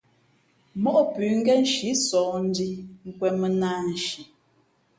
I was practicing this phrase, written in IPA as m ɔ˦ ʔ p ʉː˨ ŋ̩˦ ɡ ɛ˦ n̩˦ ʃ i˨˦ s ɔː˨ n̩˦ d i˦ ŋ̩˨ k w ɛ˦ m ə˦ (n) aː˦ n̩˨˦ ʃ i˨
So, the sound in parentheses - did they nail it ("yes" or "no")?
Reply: yes